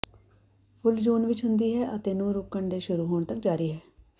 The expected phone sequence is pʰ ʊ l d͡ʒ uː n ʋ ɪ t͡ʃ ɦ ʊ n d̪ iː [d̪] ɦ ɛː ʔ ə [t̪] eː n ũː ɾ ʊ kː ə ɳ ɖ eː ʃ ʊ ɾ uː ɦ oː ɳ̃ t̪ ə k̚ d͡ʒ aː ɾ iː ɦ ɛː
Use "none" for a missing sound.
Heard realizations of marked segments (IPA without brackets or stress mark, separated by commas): none, t̪